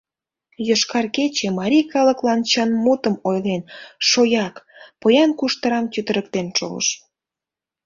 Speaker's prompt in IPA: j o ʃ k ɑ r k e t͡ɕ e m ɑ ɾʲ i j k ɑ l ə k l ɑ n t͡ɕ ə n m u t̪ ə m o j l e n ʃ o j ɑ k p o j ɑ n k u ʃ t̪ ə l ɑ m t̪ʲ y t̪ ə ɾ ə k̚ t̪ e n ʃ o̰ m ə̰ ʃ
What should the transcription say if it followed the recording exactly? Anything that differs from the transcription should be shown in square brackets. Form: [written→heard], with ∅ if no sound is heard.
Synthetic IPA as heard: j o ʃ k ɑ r k e t͡ɕ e m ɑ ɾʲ i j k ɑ l ə k l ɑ n t͡ɕ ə n m u t̪ ə m o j l e n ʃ o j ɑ k p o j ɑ n k u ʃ t̪ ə [l→ɾ] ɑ m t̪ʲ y t̪ ə ɾ ə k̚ t̪ e n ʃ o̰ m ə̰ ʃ

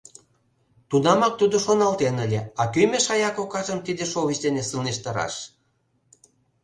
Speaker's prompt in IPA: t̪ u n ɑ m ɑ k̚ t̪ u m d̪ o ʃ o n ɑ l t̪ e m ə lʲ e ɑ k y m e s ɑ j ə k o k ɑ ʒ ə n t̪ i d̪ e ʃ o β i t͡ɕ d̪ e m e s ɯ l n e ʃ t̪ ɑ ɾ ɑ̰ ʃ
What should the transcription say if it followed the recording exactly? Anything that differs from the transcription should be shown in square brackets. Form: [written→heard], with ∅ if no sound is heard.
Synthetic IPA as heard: t̪ u n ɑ m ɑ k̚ t̪ u [m→∅] d̪ o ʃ o n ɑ l t̪ e [m→n] ə lʲ e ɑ k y m e [s→ʃ] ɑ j [ə→ɑ] k o k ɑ ʒ ə [n→m] t̪ i d̪ e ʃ o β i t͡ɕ d̪ e [m→n] e s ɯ l n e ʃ t̪ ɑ ɾ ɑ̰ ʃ

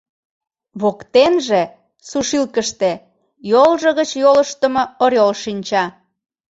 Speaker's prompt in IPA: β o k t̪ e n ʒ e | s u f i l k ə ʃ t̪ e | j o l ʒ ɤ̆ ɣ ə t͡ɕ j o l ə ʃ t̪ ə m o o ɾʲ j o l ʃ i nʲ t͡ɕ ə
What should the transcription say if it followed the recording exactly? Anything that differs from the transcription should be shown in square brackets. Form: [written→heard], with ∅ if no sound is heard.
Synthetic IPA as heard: β o k t̪ e n ʒ e | s u [f→ʃ] i l k ə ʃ t̪ e | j o l ʒ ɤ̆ ɣ ə t͡ɕ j o l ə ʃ t̪ ə m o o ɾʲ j o l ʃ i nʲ t͡ɕ [ə→ɑ]

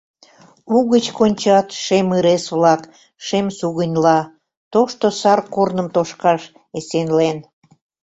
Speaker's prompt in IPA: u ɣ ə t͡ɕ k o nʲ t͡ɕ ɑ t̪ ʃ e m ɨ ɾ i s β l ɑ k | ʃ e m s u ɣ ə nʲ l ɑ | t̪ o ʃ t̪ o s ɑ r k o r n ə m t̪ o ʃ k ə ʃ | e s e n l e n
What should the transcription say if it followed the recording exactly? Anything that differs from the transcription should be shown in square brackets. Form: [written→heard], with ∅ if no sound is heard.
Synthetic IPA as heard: u ɣ ə t͡ɕ k o nʲ t͡ɕ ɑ t̪ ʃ e m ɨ ɾ [i→e] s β l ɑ k | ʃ e m s u ɣ ə nʲ l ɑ | t̪ o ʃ t̪ o s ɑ r k o r n ə m t̪ o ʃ k [ə→ɑ] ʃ | e s e n l e n

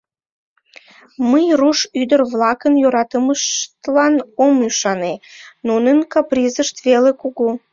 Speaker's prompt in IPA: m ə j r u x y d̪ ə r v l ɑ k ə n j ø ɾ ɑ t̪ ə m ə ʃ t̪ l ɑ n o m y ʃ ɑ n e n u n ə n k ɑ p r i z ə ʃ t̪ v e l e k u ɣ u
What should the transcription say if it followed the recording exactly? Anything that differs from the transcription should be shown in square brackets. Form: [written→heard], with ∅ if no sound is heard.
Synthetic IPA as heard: m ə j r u [x→ʃ] y d̪ ə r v l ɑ k ə n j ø ɾ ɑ t̪ ə m ə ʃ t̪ l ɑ n o m y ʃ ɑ n e n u n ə n k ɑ p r i z ə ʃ t̪ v e l e k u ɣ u

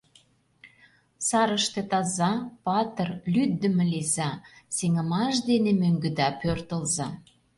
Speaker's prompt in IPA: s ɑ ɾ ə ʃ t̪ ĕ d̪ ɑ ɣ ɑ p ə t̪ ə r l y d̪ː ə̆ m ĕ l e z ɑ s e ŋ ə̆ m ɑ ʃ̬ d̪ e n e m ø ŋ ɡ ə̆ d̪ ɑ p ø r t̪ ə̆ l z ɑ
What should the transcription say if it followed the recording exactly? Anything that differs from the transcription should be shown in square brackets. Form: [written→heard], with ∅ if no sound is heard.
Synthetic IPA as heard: s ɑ ɾ ə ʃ t̪ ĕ [d̪→t̪] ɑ [ɣ→z] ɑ p [ə→ɑ] t̪ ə r l y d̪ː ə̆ m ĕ l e z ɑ s e ŋ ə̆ m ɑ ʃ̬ d̪ e n e m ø ŋ ɡ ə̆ d̪ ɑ p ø r t̪ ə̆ l z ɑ

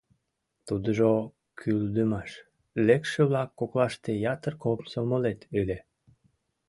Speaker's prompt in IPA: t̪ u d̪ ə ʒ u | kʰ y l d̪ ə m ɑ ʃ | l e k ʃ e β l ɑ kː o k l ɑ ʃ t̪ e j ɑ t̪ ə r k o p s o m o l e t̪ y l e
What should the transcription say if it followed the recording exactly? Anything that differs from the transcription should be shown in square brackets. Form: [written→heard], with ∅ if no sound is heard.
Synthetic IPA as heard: t̪ u d̪ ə ʒ [u→o] | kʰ y l d̪ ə m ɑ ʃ | l e k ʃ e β l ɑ kː o k l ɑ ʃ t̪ e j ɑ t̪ ə r k o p s o m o l e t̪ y l e

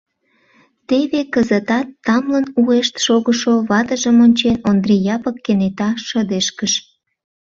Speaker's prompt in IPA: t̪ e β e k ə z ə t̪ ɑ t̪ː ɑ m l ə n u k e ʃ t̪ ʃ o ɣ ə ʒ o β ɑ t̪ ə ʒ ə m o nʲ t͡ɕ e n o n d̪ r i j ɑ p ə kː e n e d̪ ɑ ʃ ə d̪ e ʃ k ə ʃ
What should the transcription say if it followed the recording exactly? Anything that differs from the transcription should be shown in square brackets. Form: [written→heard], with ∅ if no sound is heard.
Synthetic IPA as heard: t̪ e β e k ə z ə t̪ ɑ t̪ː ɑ m l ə n u [k→∅] e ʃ t̪ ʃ o ɣ ə [ʒ→ʃ] o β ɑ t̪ ə ʒ ə m o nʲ t͡ɕ e n o n d̪ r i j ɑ p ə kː e n e [d̪→t̪] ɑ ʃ ə d̪ e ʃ k ə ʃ

